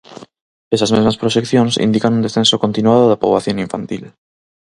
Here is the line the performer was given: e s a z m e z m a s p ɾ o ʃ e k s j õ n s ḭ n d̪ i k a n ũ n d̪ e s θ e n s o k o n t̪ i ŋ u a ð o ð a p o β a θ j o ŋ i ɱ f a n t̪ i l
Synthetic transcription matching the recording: e s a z m e z m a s p ɾ o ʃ e k θ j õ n s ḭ n d̪ i k a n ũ n d̪ e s θ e n s o k o n t̪ i n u a ð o ð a p o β a θ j o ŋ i ɱ f a n t̪ i l